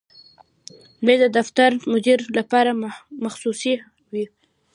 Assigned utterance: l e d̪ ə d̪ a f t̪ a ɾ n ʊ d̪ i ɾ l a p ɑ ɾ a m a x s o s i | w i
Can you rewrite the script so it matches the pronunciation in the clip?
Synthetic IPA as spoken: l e d̪ ə d̪ a f t̪ a ɾ m ʊ d̪ i ɾ l a p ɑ ɾ a m a x s u s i | w i